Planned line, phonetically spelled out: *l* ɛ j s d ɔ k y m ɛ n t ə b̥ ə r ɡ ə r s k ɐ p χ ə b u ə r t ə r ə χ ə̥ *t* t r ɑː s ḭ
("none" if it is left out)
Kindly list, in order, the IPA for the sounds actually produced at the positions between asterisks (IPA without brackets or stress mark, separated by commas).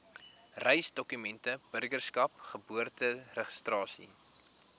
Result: r, s